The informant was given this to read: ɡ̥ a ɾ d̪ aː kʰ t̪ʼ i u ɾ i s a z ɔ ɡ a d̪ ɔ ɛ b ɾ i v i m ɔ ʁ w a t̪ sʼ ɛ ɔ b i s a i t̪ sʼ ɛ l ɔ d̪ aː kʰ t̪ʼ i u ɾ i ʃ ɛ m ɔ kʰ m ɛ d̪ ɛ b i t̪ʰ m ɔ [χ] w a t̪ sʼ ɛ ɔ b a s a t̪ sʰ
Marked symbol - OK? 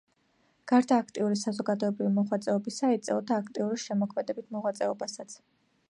no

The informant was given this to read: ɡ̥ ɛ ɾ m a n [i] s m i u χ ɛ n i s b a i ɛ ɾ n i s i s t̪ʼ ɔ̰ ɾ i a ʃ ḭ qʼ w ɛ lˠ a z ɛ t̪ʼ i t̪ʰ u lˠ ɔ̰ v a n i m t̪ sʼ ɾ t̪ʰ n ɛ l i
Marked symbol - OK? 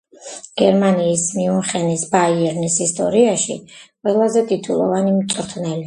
no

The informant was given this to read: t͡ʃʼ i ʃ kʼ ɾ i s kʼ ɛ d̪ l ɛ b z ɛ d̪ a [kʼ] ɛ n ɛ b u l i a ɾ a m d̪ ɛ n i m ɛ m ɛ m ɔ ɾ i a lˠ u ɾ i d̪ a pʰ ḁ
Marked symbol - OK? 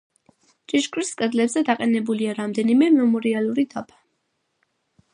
no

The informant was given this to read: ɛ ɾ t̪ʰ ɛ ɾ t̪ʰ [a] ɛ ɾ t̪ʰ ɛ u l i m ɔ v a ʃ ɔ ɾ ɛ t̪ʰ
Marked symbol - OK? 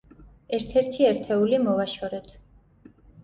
no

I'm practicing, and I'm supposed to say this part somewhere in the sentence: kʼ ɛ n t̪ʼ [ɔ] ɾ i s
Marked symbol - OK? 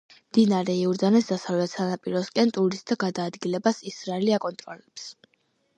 no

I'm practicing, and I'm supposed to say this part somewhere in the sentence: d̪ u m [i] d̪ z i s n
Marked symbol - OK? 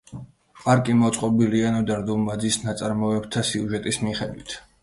no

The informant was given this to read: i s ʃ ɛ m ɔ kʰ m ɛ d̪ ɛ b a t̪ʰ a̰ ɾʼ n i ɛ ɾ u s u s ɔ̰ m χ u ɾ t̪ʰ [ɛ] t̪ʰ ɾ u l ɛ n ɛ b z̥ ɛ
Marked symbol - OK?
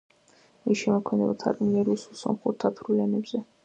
no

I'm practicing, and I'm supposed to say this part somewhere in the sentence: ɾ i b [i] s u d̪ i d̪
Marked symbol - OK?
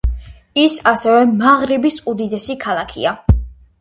yes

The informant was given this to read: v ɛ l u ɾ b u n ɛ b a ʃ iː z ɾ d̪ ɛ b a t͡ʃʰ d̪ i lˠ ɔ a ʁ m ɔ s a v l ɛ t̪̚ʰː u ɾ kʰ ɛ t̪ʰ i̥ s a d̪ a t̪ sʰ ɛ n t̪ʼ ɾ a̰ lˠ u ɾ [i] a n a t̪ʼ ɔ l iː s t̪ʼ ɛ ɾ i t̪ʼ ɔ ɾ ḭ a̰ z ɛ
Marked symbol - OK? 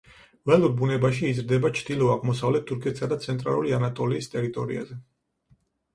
yes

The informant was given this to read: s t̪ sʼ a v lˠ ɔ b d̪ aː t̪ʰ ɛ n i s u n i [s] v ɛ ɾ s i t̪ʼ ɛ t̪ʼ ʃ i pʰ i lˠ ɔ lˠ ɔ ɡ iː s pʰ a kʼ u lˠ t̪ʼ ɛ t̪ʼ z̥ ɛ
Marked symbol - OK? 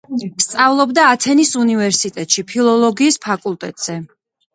no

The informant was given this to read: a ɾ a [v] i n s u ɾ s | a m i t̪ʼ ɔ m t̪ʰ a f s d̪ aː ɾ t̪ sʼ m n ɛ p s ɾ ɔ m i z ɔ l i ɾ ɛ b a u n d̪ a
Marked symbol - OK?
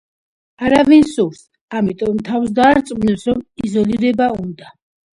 yes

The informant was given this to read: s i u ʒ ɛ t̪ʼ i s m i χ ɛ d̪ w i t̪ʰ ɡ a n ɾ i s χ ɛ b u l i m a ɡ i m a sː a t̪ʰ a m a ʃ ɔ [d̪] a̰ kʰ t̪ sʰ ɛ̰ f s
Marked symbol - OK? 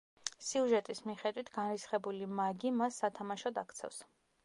yes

